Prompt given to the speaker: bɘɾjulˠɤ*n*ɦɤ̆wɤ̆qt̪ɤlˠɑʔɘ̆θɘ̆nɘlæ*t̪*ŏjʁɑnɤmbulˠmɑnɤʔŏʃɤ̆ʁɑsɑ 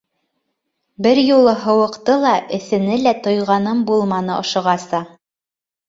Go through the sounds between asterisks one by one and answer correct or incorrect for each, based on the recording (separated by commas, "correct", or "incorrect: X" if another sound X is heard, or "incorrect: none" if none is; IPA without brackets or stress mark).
incorrect: none, correct